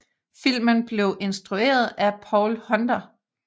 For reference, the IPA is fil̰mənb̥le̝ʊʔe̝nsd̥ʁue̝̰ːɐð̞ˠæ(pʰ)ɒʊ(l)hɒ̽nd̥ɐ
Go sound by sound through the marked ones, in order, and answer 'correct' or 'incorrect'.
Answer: correct, correct

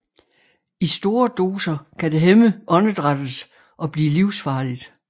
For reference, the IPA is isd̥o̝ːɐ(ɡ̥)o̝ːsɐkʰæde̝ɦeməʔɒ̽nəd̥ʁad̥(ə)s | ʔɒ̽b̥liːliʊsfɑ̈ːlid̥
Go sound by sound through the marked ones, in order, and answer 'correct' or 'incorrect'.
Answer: incorrect, correct

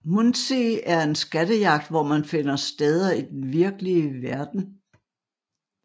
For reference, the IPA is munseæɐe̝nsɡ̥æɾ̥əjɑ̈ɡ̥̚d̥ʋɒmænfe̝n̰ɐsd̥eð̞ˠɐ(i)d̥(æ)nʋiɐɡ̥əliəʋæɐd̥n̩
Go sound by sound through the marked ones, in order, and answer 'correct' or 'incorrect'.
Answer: correct, incorrect

